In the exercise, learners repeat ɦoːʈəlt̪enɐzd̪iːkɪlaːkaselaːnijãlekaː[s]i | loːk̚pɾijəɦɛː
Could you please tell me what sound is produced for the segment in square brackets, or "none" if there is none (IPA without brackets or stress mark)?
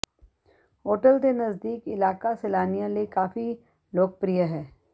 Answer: f